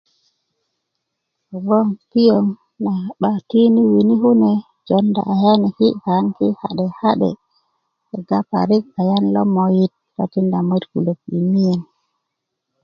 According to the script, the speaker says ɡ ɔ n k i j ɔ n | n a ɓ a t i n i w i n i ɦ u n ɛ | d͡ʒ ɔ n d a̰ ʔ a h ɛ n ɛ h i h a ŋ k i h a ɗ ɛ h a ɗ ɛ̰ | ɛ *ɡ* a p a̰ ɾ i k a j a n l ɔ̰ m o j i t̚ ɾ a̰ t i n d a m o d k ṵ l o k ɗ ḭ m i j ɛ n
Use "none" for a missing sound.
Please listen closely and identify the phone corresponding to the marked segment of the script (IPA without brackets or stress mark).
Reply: ɡ